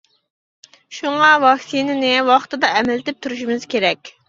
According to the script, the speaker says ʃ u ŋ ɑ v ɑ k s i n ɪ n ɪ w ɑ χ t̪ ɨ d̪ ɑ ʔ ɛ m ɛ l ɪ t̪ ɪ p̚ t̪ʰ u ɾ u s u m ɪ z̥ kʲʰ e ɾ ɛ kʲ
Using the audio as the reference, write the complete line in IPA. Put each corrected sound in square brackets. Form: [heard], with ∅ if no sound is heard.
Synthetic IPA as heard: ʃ u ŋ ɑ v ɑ k s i n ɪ n ɪ w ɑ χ t̪ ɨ d̪ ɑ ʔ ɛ m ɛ l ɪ t̪ ɪ p̚ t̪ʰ u ɾ u [ʃ] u m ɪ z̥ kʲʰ e ɾ ɛ kʲ